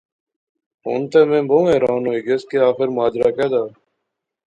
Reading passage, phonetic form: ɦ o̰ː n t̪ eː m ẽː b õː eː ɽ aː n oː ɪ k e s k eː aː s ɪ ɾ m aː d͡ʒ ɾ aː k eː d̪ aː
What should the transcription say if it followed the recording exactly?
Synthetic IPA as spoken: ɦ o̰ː n t̪ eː m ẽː b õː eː ɾ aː n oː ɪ ɡ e s k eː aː x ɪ ɾ m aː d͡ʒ ɾ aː k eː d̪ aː